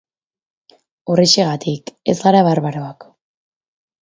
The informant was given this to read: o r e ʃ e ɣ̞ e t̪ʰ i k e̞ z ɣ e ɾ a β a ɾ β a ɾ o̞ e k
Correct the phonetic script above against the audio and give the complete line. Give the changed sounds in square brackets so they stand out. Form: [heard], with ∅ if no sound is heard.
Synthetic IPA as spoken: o r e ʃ e ɣ̞ [a] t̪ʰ i k e̞ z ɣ [a] ɾ a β a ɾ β a ɾ o̞ [a] k